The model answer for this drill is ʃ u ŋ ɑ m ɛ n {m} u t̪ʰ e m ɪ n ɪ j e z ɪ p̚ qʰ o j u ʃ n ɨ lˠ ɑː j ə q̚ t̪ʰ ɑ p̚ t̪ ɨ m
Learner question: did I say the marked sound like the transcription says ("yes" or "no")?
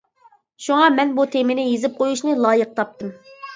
no